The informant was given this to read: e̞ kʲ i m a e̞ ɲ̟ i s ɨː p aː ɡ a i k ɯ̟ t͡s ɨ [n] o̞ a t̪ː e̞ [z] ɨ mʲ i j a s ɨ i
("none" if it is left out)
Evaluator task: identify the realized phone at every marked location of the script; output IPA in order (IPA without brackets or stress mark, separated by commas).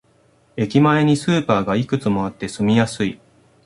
m, s